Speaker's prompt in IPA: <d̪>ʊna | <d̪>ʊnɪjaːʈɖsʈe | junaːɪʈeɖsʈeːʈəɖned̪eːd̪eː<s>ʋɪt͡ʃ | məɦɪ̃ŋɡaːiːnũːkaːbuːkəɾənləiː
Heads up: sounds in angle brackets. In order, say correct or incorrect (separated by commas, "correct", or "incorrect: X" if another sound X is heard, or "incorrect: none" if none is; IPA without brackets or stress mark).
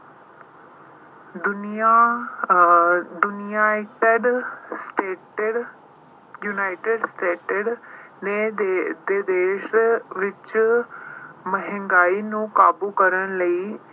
correct, correct, incorrect: ʃ